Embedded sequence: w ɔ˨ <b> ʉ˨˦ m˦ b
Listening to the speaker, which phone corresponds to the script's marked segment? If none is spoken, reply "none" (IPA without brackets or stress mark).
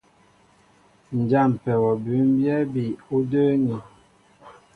b